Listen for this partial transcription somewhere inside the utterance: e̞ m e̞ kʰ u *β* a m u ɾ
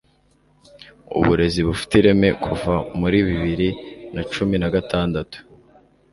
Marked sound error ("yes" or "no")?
yes